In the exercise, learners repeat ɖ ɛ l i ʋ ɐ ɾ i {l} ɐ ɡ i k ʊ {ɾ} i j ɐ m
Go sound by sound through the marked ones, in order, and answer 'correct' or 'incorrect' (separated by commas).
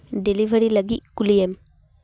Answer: correct, incorrect